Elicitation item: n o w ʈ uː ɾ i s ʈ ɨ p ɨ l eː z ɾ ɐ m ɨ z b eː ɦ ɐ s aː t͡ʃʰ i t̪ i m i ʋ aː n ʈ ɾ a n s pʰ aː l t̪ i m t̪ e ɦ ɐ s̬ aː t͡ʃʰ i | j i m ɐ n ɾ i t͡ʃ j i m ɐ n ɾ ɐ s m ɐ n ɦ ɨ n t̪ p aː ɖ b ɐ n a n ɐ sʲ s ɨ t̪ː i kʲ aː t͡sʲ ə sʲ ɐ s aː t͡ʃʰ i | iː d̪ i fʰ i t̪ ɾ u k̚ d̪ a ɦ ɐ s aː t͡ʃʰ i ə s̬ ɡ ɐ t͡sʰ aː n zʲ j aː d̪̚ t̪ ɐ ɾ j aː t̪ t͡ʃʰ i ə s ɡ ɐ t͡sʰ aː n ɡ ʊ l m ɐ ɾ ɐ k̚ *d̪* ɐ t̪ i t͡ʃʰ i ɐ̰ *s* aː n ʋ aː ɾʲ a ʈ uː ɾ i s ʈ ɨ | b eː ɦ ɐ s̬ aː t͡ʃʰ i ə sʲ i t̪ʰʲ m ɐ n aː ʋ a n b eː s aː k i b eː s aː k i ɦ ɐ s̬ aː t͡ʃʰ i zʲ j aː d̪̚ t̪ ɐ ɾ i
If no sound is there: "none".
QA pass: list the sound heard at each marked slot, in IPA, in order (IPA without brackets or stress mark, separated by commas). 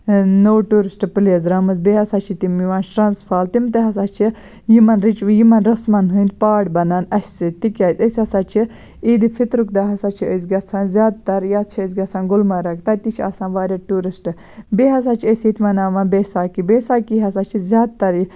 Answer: t̪, s